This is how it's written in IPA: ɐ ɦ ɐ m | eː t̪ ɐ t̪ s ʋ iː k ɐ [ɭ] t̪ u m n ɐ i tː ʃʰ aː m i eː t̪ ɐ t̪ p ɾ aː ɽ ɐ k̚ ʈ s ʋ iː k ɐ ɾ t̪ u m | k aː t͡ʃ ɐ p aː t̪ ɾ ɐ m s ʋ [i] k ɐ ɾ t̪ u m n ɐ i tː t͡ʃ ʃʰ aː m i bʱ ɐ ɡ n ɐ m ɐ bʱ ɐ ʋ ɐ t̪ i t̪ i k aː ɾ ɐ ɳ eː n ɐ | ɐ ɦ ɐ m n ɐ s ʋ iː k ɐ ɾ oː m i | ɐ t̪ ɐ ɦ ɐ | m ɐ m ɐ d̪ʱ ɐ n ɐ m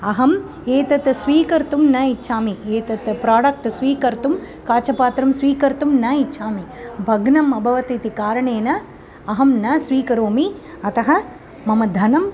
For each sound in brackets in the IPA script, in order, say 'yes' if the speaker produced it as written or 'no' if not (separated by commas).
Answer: no, no